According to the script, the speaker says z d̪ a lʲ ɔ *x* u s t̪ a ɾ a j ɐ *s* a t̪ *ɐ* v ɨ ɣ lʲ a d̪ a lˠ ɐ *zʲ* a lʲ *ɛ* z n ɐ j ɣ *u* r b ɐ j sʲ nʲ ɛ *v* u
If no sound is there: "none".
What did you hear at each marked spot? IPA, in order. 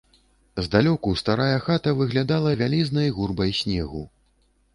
k, x, ɐ, vʲ, i, u, ɣ

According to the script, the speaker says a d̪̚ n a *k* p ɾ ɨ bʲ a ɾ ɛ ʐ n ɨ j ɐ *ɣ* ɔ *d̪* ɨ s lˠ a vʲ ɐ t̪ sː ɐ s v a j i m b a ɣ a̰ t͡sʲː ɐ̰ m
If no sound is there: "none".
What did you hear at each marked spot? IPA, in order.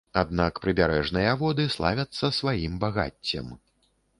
k, v, d̪

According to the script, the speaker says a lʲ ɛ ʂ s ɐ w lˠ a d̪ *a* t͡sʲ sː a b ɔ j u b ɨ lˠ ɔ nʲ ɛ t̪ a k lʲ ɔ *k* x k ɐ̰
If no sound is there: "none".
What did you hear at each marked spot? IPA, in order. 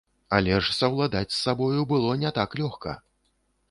a, none

